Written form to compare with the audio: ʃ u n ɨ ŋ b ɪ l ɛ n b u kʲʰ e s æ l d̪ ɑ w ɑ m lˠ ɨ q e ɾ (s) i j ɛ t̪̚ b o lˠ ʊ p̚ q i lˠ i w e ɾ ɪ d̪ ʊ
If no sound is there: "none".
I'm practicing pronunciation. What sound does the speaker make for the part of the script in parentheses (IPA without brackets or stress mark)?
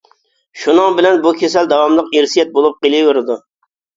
s